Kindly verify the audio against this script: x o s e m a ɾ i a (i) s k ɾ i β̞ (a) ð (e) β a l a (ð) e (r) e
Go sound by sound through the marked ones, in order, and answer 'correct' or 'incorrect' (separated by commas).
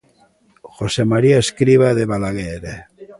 incorrect, correct, correct, incorrect, incorrect